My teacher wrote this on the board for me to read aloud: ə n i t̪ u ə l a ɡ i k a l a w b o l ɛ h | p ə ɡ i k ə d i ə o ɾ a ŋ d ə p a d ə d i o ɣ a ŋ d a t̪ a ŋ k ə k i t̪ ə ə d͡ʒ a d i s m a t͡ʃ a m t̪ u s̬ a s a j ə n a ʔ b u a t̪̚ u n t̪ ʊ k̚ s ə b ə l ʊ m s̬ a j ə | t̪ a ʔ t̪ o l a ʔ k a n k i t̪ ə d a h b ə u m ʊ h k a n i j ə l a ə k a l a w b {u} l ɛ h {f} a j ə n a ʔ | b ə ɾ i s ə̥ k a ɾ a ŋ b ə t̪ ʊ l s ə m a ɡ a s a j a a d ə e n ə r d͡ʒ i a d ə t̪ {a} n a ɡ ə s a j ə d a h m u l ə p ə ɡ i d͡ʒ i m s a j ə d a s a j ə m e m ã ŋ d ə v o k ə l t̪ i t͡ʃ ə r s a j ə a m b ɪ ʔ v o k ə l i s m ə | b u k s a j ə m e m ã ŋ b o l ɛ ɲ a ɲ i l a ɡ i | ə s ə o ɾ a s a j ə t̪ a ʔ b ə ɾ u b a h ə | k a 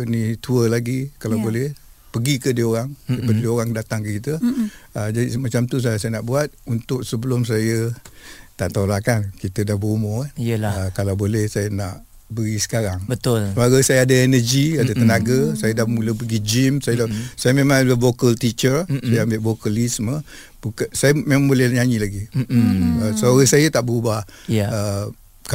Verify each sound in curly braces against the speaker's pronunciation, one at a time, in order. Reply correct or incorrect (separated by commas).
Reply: incorrect, incorrect, incorrect